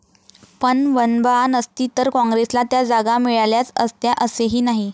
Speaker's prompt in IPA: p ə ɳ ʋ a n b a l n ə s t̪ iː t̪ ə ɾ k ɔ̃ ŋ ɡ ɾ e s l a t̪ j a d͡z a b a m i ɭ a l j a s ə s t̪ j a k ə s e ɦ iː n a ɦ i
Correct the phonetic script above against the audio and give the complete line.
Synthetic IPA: p ə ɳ ʋ ə n b a n ə s t̪ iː t̪ ə ɾ k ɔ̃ ŋ ɡ ɾ e s l a t̪ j a d͡z a ɡ a m i ɭ a l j a t͡s ə s t̪ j a ʔ ə s e ɦ iː n a ɦ i

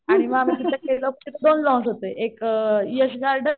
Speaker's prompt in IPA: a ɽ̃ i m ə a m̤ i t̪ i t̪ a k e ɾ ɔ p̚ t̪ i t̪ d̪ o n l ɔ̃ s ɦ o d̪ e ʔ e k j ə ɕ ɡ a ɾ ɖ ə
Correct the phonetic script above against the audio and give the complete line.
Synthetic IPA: a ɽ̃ i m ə a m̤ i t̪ i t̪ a k e l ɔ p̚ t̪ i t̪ d̪ o n l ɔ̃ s ɦ o t̪ e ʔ e k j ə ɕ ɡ a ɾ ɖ ə

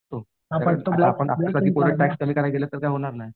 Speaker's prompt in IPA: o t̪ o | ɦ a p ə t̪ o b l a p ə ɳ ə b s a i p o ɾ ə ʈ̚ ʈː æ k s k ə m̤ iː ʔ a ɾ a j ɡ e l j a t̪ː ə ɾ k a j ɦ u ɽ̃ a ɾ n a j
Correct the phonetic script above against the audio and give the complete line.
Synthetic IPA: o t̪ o | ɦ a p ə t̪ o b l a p ə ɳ a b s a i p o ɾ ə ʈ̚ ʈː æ k s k ə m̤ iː k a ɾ a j ɡ e l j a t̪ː ə ɾ k a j ɦ o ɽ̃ a ɾ n a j

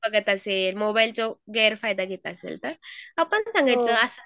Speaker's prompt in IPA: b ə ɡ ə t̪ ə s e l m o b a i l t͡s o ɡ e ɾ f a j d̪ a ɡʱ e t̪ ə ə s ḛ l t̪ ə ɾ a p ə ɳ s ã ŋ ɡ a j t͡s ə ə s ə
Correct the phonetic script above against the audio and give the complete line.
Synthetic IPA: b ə ɡ ə t̪ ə s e l m o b a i l t͡s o ɡ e ɾ f a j d̪ a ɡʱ e t̪ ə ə s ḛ l t̪ ə ɾ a p ə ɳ s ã ŋ ɡ a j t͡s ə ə s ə

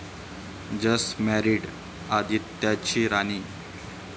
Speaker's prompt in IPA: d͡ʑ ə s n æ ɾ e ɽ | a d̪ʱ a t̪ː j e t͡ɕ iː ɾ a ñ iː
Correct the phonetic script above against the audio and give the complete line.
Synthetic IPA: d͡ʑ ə s m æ ɾ i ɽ | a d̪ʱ i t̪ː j a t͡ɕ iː ɾ a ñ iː

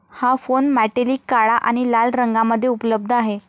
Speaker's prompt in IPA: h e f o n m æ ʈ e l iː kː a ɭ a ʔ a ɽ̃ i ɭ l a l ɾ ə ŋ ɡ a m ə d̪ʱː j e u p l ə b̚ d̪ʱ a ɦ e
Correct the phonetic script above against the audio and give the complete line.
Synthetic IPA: h a f o n m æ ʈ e l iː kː a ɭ a ʔ a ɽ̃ i l a l ɾ ə ŋ ɡ a m ə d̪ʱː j e u p l ə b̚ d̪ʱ a ɦ e

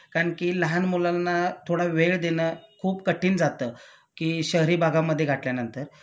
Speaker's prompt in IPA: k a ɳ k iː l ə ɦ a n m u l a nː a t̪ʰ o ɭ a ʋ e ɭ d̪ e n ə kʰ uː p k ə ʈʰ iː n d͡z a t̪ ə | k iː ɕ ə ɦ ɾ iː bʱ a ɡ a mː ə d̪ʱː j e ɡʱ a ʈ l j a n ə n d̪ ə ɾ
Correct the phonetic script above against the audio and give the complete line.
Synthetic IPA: k a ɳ k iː l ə ɦ a n m u l a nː a t̪ʰ o ɽ a ʋ e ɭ d̪ e n ə kʰ uː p k ə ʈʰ iː n d͡z a t̪ ə | k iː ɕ ə ɦ ɾ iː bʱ a ɡ a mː ə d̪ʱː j e ɡʱ a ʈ l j a n ə n t̪ ə ɾ

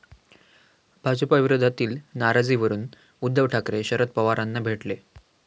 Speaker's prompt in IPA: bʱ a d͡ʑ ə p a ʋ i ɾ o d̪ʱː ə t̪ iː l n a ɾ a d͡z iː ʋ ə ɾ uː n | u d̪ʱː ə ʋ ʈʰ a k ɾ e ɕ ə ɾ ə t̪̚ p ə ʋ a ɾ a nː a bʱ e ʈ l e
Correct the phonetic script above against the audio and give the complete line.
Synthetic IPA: bʱ a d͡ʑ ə p a ʋ i ɾ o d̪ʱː a t̪ iː l n a ɾ a d͡z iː ʋ ə ɾ uː n | u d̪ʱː ə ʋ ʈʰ a k ɾ e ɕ ə ɾ ə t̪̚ p ə ʋ a ɾ a nː a bʱ e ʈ l e

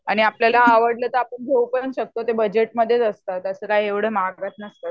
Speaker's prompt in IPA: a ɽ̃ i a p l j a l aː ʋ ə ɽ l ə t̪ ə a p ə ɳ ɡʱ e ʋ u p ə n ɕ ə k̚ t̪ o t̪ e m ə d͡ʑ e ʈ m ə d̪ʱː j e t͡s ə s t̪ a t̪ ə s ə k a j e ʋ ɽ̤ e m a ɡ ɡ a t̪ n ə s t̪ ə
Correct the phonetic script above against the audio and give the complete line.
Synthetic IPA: a ɽ̃ i a p l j a l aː ʋ ə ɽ l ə t̪ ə a p ə ɳ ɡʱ e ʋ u p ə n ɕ ə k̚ t̪ o t̪ e b ə d͡ʑ e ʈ m ə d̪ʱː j e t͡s ə s t̪ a t̪ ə s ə k a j e ʋ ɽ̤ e m a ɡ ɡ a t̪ n ə s t̪ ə

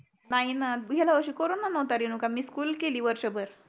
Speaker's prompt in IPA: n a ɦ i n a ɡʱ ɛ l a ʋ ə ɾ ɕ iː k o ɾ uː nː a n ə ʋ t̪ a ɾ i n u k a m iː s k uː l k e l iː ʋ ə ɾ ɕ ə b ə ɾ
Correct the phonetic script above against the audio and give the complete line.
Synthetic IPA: n a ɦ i n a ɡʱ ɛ l a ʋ ə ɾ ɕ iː k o ɾ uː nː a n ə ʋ t̪ a ɾ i n u k a m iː s k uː l k e l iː ʋ ə ɾ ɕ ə b ə ɾ

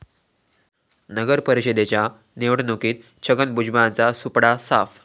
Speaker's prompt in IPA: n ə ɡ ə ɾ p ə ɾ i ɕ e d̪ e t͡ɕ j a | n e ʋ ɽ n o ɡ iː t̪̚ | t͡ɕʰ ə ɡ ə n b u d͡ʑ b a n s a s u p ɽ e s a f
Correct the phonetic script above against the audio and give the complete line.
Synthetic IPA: n ə ɡ ə ɾ p ə ɾ i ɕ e d̪ e t͡ɕ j a | n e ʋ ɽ n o k iː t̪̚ | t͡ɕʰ ə ɡ ə n b u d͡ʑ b a n t͡s a s u p ɽ a s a f

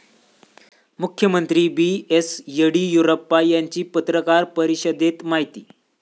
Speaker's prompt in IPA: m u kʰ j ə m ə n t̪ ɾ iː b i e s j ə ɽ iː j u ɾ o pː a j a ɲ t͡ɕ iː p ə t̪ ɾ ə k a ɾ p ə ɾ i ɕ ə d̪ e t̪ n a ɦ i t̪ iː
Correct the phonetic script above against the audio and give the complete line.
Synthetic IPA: m u kʰ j ə m ə n t̪ ɾ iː b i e s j ə ɽ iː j u ɾ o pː a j a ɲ t͡ɕ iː p ə t̪ ɾ ə k a ɾ p ə ɾ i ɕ ə d̪ e t̪ m a ɦ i t̪ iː

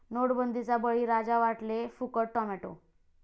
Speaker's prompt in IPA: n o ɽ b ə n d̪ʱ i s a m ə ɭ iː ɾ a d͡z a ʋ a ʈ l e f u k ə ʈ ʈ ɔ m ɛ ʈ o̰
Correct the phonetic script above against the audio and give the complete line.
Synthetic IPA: n o ɽ b ə n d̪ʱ i t͡s a b ə ɭ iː ɾ a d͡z a ʋ a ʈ l e f u k ə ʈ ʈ ɔ m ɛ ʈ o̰

